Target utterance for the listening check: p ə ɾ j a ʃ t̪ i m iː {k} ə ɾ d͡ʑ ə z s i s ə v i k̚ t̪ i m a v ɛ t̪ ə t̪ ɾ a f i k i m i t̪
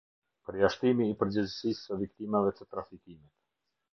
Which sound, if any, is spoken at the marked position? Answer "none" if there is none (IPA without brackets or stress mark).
p